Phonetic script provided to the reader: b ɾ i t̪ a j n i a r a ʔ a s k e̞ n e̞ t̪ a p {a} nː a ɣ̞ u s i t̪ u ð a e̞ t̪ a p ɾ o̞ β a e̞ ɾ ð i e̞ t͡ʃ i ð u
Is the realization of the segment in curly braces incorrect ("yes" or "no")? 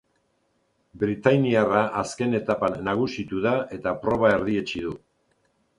no